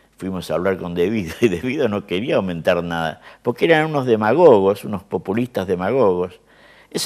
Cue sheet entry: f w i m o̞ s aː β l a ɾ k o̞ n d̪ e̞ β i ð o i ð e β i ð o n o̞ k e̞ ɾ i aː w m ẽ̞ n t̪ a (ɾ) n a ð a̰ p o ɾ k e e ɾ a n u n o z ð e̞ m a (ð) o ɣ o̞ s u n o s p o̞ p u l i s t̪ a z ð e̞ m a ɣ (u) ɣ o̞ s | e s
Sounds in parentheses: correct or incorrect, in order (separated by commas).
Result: correct, incorrect, incorrect